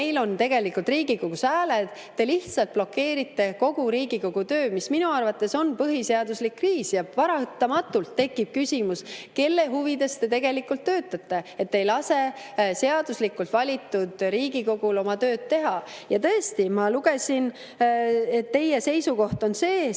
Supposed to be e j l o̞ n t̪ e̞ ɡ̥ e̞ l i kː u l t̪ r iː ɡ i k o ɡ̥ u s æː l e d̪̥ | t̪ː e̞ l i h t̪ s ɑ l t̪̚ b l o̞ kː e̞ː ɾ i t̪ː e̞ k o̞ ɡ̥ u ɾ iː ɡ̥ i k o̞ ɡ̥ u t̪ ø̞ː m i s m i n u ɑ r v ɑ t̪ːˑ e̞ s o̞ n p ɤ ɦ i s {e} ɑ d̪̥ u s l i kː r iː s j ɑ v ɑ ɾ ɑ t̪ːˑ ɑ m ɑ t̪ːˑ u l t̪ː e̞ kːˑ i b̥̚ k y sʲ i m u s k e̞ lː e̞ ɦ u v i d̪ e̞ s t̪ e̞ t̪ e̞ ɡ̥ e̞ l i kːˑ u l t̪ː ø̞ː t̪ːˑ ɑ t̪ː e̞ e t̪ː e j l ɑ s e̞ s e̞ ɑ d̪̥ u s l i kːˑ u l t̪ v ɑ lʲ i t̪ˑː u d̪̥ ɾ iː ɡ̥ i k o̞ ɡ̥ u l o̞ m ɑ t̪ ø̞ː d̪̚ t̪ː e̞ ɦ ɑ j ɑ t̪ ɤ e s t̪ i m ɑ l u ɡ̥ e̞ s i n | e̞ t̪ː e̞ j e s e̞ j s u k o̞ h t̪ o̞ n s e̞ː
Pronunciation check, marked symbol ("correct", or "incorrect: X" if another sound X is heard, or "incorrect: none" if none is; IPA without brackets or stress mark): correct